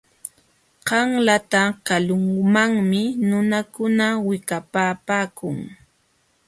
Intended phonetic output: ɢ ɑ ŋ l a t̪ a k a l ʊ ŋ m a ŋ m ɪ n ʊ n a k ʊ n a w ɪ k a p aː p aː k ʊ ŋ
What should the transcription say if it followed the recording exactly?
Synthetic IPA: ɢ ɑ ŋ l a t̪ a k a l ʊ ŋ m a ŋ m ɪ n ʊ n a k ʊ n a w ɪ k a p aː p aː k ʊ ŋ